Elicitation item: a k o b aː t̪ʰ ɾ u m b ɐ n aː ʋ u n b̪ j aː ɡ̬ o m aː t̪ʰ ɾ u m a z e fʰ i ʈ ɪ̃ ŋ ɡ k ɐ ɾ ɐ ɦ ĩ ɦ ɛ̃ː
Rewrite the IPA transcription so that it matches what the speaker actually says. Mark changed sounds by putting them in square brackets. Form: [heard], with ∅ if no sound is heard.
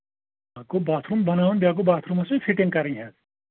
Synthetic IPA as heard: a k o b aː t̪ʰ ɾ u m b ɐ n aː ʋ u n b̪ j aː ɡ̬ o [b] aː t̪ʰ ɾ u m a [s] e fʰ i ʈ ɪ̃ ŋ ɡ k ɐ ɾ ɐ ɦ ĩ ɦ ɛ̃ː